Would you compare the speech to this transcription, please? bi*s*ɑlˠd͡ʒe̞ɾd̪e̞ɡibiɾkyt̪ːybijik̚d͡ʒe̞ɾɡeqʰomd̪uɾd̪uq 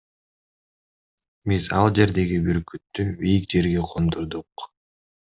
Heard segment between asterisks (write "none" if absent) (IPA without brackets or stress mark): z